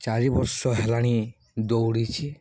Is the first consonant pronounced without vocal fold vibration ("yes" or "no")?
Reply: yes